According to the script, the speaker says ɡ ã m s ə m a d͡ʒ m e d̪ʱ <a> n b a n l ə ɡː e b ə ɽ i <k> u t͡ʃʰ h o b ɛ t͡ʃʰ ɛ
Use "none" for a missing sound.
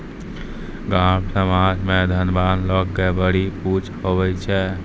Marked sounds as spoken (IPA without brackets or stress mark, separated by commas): ə, p